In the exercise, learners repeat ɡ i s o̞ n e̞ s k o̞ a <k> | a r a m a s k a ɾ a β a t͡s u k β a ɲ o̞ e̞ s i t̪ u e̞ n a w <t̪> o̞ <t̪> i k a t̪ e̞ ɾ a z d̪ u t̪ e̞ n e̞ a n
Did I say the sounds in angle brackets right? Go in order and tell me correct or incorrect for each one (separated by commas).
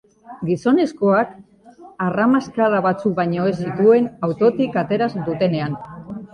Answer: correct, correct, correct